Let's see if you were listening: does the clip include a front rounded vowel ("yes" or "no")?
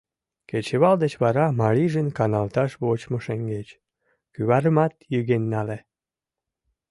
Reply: yes